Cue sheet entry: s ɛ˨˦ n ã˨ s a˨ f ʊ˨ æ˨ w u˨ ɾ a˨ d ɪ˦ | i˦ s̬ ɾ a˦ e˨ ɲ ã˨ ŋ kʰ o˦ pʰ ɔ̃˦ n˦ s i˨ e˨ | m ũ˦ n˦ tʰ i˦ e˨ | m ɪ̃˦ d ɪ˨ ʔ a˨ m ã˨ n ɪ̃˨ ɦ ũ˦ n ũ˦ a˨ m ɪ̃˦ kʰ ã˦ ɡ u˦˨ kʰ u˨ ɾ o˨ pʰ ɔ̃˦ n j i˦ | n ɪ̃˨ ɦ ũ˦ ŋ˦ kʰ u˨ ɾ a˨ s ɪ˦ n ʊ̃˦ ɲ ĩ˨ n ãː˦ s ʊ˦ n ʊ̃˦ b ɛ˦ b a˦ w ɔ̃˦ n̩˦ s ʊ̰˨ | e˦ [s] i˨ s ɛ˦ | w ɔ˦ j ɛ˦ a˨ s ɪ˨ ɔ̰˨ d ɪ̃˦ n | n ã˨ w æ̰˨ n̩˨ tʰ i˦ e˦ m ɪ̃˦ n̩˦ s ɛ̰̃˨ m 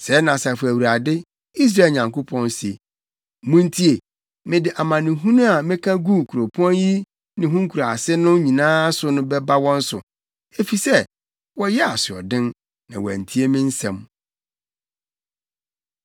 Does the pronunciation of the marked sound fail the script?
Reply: yes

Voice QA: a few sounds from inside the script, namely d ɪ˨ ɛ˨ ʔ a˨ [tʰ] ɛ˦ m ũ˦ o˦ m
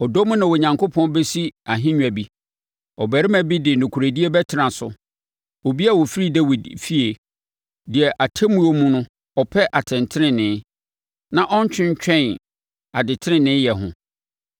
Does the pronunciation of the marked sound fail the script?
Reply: no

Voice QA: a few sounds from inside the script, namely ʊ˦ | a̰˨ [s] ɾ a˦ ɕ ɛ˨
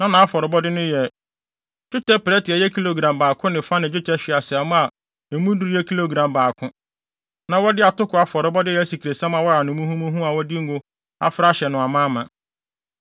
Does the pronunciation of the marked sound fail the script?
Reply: yes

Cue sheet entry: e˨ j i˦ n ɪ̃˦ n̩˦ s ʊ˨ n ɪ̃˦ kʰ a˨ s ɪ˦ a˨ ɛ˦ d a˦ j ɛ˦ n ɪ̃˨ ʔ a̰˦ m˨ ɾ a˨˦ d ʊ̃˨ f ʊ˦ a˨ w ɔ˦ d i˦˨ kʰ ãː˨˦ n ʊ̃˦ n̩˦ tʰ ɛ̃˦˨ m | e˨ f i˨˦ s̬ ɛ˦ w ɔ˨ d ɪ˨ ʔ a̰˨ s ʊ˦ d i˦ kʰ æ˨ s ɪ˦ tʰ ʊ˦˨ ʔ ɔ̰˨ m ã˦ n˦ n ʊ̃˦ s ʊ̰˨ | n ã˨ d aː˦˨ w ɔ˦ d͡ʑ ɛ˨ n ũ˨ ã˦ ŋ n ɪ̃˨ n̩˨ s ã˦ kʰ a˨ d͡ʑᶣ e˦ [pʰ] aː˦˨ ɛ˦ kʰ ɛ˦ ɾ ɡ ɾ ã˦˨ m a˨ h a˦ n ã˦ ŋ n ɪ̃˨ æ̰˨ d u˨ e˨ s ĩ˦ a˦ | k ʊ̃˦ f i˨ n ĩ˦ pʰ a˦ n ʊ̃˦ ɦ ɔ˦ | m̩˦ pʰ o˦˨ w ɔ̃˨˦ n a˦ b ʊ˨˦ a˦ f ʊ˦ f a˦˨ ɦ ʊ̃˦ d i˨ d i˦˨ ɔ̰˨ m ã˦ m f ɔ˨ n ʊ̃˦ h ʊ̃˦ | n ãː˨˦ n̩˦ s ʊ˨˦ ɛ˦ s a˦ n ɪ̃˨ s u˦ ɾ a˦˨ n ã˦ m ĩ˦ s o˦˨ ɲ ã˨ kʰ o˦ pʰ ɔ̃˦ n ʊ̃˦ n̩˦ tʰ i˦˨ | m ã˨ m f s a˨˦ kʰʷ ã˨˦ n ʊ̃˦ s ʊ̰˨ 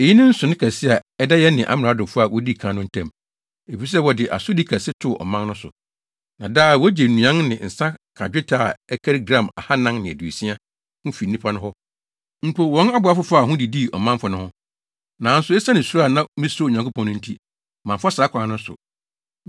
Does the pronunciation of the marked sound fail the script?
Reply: yes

